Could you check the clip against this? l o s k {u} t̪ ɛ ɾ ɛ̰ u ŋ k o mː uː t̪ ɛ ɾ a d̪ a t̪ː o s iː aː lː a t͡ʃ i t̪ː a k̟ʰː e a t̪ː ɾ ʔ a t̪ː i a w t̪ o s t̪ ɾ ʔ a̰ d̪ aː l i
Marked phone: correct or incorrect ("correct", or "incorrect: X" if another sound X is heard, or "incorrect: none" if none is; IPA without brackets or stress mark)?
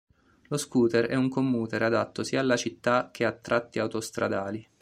incorrect: uː